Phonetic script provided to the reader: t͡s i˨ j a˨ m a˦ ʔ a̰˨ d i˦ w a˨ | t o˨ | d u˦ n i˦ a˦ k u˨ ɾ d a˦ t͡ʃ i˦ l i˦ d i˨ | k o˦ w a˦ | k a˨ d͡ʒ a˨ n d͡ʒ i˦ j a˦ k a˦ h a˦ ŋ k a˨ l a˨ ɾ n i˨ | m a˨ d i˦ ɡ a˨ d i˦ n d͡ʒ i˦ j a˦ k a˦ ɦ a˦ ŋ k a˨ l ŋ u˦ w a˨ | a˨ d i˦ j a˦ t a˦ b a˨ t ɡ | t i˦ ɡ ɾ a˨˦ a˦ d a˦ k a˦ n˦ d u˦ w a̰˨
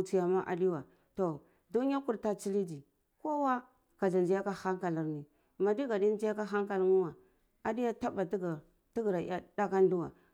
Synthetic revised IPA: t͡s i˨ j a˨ m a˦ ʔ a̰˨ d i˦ w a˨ | t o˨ | d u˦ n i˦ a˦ k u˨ ɾ t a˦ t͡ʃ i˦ l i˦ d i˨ | k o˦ w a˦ | k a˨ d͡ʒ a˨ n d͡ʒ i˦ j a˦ k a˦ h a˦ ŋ k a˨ l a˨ ɾ n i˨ | m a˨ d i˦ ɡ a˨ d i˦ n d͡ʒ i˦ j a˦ k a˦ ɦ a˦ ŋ k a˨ l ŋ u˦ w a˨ | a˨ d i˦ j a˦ t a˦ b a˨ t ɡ | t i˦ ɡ ɾ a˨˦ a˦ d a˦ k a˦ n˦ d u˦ w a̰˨